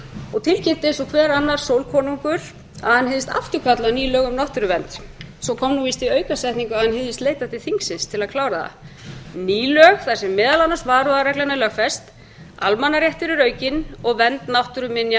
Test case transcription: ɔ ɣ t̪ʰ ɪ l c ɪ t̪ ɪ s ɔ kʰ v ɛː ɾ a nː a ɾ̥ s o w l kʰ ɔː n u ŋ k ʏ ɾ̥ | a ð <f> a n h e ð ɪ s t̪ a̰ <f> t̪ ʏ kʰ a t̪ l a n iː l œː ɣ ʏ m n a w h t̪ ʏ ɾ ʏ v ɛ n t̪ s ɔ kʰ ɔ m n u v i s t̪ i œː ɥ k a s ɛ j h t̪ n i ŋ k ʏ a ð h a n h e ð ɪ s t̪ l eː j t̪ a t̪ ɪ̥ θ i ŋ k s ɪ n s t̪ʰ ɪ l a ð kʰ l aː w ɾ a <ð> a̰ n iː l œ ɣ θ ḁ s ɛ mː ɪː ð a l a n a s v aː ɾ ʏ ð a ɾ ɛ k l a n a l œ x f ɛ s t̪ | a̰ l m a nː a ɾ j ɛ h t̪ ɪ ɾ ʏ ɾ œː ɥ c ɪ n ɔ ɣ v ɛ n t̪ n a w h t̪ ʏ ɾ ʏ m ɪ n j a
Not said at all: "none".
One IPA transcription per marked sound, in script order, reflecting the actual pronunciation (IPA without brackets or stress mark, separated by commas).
h, f, ð